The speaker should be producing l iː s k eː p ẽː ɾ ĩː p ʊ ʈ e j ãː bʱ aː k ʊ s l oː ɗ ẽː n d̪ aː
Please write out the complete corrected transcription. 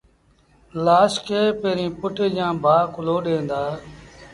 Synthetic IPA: l aː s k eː p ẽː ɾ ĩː p ʊ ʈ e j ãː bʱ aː k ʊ l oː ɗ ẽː n d̪ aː